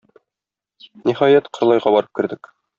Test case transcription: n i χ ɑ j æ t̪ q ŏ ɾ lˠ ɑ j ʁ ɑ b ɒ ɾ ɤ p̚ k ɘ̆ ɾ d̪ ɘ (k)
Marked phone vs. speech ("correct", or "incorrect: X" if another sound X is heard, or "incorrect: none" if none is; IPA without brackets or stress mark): correct